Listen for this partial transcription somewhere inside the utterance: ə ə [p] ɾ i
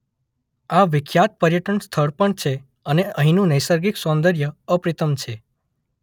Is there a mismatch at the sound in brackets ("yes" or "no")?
no